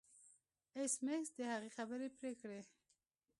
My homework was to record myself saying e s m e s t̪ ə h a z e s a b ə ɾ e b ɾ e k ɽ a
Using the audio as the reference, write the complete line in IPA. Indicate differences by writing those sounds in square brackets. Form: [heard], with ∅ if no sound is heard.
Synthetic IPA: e s m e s [d̪] ə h a [ɣ] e [x] a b ə ɾ e [p] ɾ e k ɽ [e]